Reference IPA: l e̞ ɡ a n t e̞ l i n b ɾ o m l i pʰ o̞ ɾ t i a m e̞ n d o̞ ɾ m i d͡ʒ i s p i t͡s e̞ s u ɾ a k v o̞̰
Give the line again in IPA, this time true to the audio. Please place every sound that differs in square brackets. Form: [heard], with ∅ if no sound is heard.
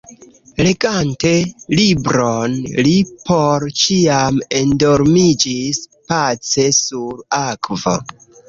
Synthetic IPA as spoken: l e̞ ɡ a n t e̞ l i [∅] b ɾ o [n] l i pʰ o̞ ɾ [t͡ʃ] i a m e̞ n d o̞ ɾ m i d͡ʒ i s p [a] t͡s e̞ s u ɾ a k v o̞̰